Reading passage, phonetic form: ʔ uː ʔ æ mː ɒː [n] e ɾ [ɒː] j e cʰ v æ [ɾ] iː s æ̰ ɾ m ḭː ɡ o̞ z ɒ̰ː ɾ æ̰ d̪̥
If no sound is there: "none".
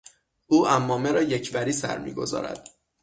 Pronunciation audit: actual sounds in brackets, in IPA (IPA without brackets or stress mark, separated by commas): m, ɒː, ɾ